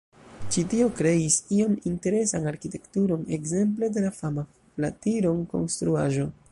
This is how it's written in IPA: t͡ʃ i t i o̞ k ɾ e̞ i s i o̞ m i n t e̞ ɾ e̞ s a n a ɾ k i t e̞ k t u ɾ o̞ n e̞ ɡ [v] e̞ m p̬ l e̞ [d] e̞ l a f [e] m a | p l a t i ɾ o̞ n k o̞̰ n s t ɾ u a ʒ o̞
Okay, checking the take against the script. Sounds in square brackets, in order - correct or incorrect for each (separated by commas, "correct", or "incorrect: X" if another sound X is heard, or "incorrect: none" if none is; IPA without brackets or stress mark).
incorrect: z, correct, incorrect: a